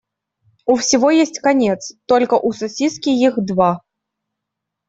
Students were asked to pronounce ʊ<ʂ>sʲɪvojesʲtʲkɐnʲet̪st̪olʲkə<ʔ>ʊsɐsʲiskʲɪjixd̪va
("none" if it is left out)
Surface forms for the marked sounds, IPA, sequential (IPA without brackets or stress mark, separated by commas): f, ʔ